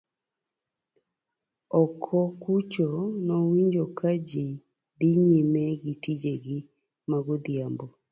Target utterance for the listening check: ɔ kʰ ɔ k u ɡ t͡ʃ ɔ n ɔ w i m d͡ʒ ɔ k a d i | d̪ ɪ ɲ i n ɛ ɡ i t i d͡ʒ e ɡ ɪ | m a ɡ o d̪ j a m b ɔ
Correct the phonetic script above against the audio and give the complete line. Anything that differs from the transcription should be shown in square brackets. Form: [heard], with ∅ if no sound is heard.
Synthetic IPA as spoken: ɔ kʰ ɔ k u [∅] t͡ʃ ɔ n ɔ w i [ɲ] d͡ʒ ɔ k a [d͡ʒ] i | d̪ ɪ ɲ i [m] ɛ ɡ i t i d͡ʒ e ɡ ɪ | m a ɡ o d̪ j a m b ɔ